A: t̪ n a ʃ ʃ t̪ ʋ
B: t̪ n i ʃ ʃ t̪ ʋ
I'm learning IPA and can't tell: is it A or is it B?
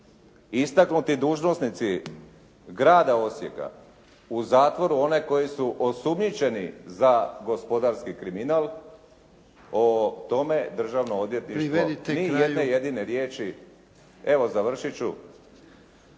B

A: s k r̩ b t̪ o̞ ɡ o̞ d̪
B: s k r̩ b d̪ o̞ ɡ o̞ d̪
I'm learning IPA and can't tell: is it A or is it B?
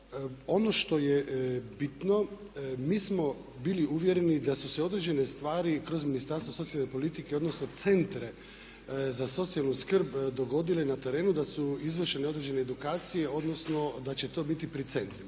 B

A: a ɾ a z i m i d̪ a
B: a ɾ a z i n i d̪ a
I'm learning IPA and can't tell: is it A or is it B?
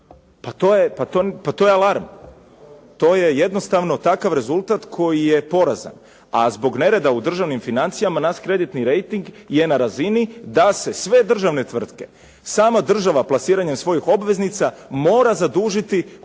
B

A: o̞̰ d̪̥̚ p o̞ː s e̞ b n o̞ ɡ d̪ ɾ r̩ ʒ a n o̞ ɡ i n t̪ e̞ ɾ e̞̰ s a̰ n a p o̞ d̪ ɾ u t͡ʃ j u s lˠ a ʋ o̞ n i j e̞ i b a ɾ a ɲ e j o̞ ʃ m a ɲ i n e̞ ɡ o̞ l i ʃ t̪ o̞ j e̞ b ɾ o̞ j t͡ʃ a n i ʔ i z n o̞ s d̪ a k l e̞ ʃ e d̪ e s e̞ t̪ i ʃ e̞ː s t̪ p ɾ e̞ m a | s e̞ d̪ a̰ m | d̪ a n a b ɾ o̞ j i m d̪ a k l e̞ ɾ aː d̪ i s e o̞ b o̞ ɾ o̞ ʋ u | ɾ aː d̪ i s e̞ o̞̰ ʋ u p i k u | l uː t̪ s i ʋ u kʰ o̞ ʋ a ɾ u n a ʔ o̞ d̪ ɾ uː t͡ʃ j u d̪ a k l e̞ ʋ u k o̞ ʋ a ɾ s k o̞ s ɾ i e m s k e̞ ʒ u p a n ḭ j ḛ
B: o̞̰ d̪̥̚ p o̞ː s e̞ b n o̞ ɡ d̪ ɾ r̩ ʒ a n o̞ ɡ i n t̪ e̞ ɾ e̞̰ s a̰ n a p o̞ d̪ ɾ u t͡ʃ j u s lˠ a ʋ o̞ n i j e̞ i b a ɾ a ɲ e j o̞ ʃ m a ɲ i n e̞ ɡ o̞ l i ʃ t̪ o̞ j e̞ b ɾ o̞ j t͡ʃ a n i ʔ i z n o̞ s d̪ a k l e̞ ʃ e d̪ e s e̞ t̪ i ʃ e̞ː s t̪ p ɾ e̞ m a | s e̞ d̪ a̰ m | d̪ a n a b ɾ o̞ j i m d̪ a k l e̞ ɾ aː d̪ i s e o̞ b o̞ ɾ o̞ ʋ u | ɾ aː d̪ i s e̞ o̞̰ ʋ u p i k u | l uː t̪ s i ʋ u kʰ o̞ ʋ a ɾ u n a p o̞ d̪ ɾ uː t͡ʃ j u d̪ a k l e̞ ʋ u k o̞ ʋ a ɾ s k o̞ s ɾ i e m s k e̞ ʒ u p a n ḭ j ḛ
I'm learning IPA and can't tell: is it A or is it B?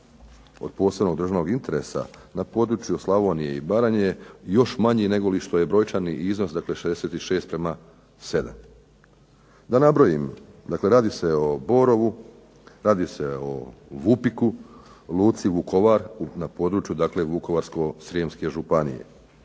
B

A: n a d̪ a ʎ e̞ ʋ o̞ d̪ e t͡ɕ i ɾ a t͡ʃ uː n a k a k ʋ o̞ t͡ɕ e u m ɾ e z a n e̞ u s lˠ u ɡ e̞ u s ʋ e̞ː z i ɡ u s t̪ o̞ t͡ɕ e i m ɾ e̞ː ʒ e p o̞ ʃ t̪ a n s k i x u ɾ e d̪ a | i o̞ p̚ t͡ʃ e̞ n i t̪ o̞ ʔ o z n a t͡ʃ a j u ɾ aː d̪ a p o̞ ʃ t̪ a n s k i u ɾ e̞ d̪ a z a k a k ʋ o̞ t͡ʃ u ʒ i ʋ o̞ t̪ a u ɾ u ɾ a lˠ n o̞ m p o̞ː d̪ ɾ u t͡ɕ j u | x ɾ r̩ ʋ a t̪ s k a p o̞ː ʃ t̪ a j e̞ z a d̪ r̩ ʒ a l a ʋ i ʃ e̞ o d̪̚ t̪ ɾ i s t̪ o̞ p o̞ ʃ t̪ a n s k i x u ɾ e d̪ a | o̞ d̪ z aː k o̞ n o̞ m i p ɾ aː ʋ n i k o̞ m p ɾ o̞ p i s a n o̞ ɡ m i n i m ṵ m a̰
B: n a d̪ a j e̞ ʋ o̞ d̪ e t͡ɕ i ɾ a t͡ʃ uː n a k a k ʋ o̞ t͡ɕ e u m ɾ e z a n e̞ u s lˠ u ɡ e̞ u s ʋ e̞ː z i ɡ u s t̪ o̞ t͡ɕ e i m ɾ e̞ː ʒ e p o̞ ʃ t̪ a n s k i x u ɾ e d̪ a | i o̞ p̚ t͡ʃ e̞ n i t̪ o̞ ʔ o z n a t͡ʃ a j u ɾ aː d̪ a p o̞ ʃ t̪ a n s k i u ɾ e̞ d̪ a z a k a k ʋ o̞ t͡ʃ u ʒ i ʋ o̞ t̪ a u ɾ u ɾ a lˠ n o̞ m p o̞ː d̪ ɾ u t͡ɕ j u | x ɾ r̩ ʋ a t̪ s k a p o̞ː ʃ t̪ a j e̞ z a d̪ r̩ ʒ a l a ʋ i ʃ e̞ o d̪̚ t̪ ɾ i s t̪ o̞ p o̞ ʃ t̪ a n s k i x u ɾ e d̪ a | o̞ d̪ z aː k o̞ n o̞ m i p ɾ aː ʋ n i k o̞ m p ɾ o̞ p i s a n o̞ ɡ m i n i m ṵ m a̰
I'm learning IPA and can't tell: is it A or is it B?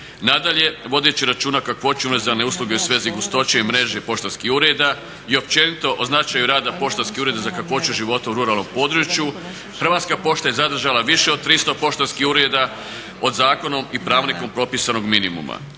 A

